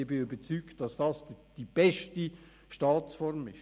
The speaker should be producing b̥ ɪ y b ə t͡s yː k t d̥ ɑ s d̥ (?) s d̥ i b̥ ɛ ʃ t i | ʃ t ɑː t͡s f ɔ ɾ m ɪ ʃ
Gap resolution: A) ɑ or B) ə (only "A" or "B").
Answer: A